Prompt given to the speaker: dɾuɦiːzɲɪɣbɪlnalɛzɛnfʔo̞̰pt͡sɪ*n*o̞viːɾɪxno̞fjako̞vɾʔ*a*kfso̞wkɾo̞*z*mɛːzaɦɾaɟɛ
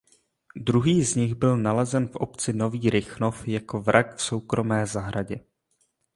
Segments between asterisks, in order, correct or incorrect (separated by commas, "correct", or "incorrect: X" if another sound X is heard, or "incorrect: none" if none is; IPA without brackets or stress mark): correct, correct, incorrect: none